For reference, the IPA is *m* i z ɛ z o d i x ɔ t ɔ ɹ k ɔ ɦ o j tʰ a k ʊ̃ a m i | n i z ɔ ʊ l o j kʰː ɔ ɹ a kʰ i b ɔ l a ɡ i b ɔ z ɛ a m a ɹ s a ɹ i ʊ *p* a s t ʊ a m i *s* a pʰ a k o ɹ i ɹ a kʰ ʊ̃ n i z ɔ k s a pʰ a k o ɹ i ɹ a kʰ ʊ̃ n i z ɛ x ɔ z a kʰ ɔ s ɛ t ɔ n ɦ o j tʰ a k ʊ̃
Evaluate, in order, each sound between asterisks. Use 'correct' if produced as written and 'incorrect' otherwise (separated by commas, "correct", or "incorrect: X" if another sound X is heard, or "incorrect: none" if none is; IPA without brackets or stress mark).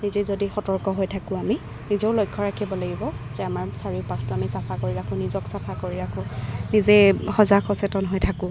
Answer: incorrect: n, correct, correct